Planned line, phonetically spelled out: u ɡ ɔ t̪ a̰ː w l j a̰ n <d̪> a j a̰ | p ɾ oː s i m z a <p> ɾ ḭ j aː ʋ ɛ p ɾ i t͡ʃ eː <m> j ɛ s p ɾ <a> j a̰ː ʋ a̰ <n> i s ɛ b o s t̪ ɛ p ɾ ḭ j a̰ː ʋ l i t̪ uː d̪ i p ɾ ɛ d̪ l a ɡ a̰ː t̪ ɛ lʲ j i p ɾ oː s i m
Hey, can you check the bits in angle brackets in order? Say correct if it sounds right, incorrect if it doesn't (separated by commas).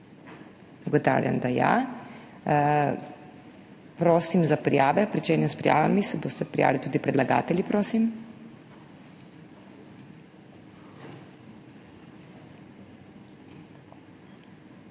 correct, correct, incorrect, incorrect, incorrect